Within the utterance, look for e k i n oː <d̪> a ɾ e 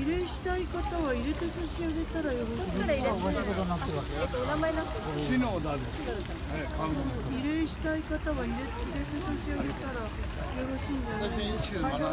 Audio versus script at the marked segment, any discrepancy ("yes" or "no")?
no